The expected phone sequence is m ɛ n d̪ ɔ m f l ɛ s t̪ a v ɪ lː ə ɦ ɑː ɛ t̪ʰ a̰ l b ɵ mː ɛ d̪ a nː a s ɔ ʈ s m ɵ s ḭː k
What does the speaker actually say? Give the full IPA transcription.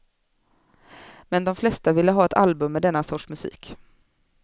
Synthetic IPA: m ɛ n d̪ ɔ m f l ɛ s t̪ a v ɪ lː ə ɦ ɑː ɛ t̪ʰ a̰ l b ɵ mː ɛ d̪ ɛ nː a s ɔ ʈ ʂ m ɵ s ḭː k

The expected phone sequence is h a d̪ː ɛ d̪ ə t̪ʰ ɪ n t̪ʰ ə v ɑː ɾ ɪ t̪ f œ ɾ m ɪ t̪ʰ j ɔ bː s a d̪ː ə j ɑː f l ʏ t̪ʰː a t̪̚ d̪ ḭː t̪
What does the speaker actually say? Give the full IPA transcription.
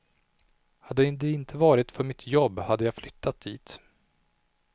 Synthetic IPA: h a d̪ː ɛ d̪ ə ɪ n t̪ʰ ə v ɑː ɾ ɪ t̪ f œ ɾ m ɪ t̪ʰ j ɔ bː h a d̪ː ə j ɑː f l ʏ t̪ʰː a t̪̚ d̪ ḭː t̪

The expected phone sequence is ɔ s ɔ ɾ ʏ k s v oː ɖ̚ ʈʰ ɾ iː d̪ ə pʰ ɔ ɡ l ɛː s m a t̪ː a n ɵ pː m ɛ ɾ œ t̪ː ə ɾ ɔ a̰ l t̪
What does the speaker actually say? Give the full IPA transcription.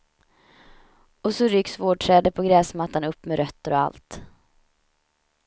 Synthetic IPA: ɔ s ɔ ɾ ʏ k s v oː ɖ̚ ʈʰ ɾ ɛː d̪ ə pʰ ɔ ɡ ɾ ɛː s m a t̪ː a n ɵ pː m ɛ ɾ œ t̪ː ə ɾ ɔ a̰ l t̪

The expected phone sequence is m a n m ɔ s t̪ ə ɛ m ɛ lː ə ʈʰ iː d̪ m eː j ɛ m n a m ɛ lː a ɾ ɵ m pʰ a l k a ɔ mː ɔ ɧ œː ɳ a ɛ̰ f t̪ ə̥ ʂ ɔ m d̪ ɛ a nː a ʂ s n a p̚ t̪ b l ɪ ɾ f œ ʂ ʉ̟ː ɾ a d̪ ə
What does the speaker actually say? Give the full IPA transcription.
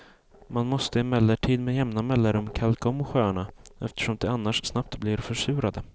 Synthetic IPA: m a n m ɔ s t̪ ə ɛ m ɛ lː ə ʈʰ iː d̪ m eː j ɛ m n a m ɛ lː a ɾ ɵ m kʰ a l k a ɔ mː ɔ ɧ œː ɳ a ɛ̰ f t̪ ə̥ ʂ ɔ m d̪ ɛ a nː a ʂ s n a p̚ t̪ b l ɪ ɾ f œ ʂ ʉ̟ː ɾ a d̪ ə

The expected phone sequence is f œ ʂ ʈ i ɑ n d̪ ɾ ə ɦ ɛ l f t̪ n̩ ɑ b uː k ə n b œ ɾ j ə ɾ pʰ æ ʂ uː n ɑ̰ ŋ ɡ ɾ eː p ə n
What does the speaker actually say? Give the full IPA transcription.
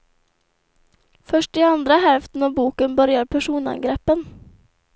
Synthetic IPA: f œ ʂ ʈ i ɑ n d̪ ɾ ə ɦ ɛ l f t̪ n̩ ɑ b uː k ə n b œ ɾ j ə ɾ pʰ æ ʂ uː n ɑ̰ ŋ ɡ ɾ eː p ə n

